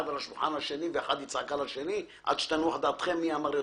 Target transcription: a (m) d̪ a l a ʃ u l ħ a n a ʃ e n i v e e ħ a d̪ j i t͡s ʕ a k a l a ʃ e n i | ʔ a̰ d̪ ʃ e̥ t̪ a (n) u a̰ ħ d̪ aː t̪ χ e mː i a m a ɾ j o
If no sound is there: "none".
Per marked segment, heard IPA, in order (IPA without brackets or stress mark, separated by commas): none, n